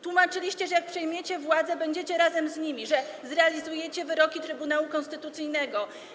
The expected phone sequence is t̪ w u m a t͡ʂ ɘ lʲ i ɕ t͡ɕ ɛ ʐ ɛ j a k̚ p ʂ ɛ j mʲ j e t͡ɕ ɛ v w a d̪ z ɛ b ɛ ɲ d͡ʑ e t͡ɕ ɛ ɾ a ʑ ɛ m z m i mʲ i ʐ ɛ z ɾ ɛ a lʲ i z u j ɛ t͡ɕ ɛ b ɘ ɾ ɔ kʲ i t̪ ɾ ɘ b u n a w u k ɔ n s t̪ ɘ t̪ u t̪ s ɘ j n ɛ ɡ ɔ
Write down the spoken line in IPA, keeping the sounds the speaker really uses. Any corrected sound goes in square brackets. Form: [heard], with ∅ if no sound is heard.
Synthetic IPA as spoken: t̪ w u m a t͡ʂ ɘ lʲ i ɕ t͡ɕ ɛ ʐ ɛ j a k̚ p ʂ ɛ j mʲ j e t͡ɕ ɛ v w a d̪ z ɛ b ɛ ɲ d͡ʑ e t͡ɕ ɛ ɾ a [z] ɛ m z [ɲ] i mʲ i ʐ ɛ z ɾ ɛ a lʲ i z u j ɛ t͡ɕ ɛ [v] ɘ ɾ ɔ kʲ i t̪ ɾ ɘ b u n a w u k ɔ n s t̪ ɘ t̪ u t̪ s ɘ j n ɛ ɡ ɔ

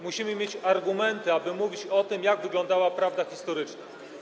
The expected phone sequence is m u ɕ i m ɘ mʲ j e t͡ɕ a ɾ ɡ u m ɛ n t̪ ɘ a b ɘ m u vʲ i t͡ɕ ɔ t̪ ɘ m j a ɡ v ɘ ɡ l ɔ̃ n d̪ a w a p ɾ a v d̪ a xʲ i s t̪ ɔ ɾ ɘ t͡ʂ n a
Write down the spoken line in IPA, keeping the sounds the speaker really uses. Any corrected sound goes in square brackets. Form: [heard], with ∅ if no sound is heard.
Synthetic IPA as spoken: m u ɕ i m ɘ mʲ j e t͡ɕ a ɾ ɡ u m ɛ n t̪ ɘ a b ɘ m u vʲ i t͡ɕ ɔ t̪ ɘ m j a ɡ v ɘ ɡ l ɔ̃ n d̪ a w a p ɾ a v d̪ a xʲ i s t̪ ɔ ɾ ɘ t͡ʂ n a

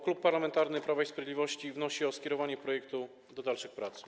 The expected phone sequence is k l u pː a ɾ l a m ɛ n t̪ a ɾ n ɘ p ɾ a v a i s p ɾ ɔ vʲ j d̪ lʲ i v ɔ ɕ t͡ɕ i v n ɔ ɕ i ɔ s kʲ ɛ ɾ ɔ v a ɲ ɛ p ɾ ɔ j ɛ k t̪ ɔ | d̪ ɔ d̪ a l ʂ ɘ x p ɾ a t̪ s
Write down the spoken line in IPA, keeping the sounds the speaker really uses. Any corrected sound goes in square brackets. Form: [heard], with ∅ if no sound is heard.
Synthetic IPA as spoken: k l u pː a ɾ l a m ɛ n t̪ a ɾ n ɘ p ɾ a v a i s p ɾ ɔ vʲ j d̪ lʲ i v ɔ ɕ t͡ɕ i v n ɔ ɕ i ɔ s kʲ ɛ ɾ ɔ v a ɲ ɛ p ɾ ɔ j ɛ k t̪ [u] | d̪ ɔ d̪ a l ʂ ɘ x p ɾ a t̪ s

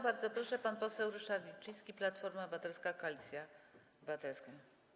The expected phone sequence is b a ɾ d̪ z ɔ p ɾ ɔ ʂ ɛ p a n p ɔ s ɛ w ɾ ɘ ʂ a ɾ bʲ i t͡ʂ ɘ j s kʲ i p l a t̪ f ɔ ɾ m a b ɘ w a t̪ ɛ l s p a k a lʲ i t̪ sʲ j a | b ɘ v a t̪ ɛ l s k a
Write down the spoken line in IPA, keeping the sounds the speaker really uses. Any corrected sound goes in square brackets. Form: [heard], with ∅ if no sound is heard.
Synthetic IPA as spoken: b a ɾ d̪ z ɔ p ɾ ɔ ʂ ɛ p a n p ɔ s ɛ w ɾ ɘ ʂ a ɾ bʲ i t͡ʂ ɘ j s kʲ i p l a t̪ f ɔ ɾ m a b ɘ [v] a t̪ ɛ l s [k] a k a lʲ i t̪ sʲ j a | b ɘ v a t̪ ɛ l s k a

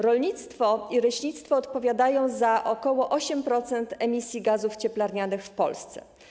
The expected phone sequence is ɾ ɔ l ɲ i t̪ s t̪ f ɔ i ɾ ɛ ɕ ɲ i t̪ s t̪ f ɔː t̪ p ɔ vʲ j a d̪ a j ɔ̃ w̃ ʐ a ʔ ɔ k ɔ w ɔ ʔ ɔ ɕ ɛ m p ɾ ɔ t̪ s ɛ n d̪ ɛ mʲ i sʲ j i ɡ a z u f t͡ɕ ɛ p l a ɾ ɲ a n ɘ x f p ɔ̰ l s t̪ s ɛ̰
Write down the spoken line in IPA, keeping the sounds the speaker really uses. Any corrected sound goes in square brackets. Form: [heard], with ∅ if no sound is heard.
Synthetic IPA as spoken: ɾ ɔ l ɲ i t̪ s t̪ f ɔ i ɾ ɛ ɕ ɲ i t̪ s t̪ f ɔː t̪ p ɔ vʲ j a d̪ a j ɔ̃ w̃ [z] a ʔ ɔ k ɔ w ɔ ʔ ɔ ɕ ɛ m p ɾ ɔ t̪ s ɛ n [t̪] ɛ mʲ i sʲ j i ɡ a z u f t͡ɕ ɛ p l a ɾ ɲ a n ɘ x f p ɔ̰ l s t̪ s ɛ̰

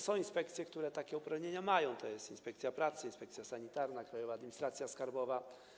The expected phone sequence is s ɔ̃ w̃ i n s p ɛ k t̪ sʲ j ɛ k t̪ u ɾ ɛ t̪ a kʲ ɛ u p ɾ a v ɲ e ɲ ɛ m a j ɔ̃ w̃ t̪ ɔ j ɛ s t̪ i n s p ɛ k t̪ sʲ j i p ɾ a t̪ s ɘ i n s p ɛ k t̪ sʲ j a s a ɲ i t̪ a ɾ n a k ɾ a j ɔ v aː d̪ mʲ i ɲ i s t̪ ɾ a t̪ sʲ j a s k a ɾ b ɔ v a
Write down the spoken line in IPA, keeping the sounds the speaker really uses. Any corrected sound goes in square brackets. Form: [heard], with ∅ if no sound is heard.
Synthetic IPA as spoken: s ɔ̃ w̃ i n s p ɛ k t̪ sʲ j ɛ k t̪ u ɾ ɛ t̪ a kʲ ɛ u p ɾ a v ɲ e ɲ [a] m a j ɔ̃ w̃ t̪ ɔ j ɛ s t̪ i n s p ɛ k t̪ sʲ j [a] p ɾ a t̪ s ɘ i n s p ɛ k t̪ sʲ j a s a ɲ i t̪ a ɾ n a k ɾ a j ɔ v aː d̪ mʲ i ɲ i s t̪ ɾ a t̪ sʲ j a s k a ɾ b ɔ v a

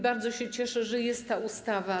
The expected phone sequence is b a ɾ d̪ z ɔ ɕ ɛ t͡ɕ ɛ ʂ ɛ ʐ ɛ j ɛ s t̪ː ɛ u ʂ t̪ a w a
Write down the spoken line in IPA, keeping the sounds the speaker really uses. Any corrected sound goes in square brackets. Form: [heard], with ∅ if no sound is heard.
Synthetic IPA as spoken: b a ɾ d̪ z ɔ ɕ ɛ t͡ɕ ɛ ʂ ɛ ʐ ɛ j ɛ s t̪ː [a] u [s] t̪ a [v] a

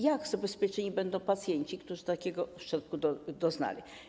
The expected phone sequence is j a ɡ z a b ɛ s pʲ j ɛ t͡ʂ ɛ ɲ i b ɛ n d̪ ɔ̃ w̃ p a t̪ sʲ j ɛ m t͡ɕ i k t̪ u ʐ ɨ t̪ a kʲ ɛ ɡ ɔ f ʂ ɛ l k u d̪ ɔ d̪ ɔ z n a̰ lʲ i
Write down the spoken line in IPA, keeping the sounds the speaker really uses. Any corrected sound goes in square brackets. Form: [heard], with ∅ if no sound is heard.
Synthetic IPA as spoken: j a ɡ z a b ɛ s pʲ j ɛ t͡ʂ ɛ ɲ i b ɛ n d̪ ɔ̃ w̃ p a t̪ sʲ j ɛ [ɲ] t͡ɕ i k t̪ u ʐ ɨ t̪ a kʲ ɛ ɡ ɔ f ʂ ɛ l k u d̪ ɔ d̪ ɔ z n a̰ lʲ i

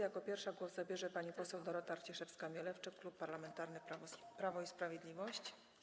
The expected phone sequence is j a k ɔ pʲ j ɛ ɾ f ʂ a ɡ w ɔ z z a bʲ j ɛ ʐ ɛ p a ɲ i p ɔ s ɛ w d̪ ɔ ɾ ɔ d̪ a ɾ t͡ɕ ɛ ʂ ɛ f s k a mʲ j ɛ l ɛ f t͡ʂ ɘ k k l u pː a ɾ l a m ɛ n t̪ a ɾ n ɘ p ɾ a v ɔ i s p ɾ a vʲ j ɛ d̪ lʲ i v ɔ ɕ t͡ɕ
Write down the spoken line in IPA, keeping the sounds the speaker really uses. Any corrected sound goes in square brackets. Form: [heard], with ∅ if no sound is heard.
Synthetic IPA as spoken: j a k ɔ pʲ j ɛ ɾ f ʂ a ɡ w ɔ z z a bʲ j ɛ ʐ ɛ p a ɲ i p ɔ s ɛ w d̪ ɔ ɾ ɔ [t̪] a ɾ t͡ɕ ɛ ʂ ɛ f s k a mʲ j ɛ l ɛ f t͡ʂ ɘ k k l u pː a ɾ l a m ɛ n t̪ a ɾ n ɘ p ɾ a v ɔ i s p ɾ a vʲ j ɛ d̪ lʲ i v ɔ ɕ t͡ɕ

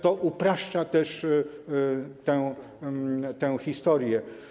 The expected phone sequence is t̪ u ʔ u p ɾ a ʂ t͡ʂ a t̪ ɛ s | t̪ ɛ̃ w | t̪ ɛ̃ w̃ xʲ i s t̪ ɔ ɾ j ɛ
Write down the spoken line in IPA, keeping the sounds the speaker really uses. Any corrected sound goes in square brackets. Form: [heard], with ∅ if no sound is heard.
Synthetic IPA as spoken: t̪ [ɔ] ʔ u p ɾ a ʂ t͡ʂ a t̪ ɛ [ʂ] | t̪ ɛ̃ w | t̪ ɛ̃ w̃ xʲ i s t̪ ɔ ɾ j ɛ

